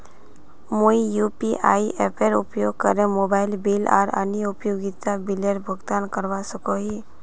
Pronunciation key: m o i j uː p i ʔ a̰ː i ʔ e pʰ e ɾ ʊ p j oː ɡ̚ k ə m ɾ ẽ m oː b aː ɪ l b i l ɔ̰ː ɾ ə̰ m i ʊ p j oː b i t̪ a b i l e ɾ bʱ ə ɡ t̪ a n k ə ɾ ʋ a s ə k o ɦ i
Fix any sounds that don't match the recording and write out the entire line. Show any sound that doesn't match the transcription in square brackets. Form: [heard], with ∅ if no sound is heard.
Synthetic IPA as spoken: m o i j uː p i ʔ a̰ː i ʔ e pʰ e ɾ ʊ p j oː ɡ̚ k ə [∅] ɾ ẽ m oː b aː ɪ l b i l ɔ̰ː ɾ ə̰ [n] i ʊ p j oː [ɡ] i t̪ a b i l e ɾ bʱ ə ɡ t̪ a n k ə ɾ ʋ a s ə k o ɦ i